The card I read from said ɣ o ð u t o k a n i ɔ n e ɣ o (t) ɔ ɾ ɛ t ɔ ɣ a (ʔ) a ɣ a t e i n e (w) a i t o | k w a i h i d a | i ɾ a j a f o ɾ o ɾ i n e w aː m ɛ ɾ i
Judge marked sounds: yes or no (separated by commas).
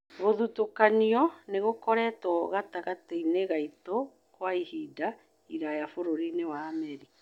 no, no, no